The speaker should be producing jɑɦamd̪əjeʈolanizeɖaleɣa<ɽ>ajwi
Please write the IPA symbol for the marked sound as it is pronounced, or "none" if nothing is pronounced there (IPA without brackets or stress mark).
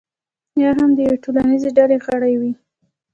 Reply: ɽ